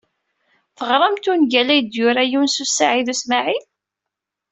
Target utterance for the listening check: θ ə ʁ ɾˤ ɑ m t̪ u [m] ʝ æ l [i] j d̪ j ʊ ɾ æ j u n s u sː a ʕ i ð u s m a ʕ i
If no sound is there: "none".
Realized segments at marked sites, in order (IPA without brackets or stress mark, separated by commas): n, æ